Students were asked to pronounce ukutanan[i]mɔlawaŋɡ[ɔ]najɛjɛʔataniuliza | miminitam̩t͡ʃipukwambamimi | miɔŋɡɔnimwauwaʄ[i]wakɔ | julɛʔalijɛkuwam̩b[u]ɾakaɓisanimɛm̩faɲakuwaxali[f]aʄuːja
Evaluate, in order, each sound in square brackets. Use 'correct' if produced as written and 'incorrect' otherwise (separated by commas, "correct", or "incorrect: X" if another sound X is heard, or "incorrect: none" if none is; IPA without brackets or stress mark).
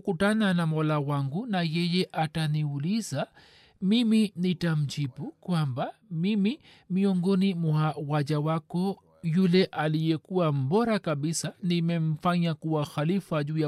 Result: incorrect: a, incorrect: u, incorrect: a, incorrect: ɔ, correct